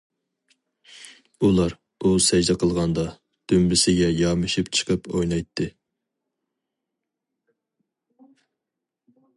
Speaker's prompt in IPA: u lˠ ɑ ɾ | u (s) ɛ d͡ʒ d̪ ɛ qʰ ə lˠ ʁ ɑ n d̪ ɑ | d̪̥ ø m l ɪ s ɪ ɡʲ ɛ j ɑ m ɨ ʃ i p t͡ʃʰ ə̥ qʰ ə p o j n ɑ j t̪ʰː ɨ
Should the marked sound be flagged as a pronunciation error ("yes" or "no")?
no